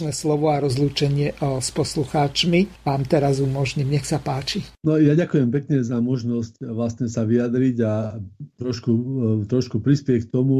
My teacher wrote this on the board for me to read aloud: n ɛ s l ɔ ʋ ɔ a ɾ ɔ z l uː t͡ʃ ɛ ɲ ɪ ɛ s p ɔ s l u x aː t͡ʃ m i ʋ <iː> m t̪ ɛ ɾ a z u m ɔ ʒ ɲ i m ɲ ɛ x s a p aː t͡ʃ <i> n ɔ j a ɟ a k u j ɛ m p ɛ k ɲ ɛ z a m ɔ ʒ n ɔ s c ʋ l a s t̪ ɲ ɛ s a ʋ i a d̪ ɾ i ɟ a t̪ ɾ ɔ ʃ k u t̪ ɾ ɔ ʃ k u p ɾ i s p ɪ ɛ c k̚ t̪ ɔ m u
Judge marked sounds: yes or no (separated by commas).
no, yes